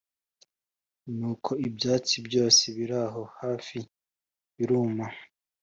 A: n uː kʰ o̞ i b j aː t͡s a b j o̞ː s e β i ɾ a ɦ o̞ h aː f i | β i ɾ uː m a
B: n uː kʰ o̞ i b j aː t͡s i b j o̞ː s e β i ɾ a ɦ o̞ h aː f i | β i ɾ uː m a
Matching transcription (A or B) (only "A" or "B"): B